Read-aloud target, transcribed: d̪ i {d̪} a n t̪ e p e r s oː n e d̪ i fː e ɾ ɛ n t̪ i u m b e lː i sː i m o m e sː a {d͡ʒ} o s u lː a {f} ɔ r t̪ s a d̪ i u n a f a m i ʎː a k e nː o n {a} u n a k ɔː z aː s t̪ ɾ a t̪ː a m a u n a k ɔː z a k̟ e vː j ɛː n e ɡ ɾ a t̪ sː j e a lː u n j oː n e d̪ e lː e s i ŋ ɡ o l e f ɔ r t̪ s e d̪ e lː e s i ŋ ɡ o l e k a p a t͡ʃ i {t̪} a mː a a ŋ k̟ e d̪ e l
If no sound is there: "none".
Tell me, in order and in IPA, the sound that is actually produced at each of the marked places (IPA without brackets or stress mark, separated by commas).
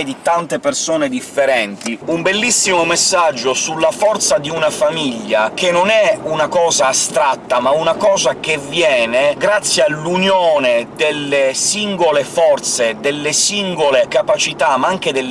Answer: t̪, d͡ʒː, f, ɛ, t̪